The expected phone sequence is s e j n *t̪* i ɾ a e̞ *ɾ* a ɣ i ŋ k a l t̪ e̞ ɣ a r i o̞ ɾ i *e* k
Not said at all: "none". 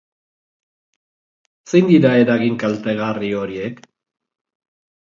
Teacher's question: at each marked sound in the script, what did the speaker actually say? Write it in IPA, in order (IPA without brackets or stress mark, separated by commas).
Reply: d̪, ɾ, e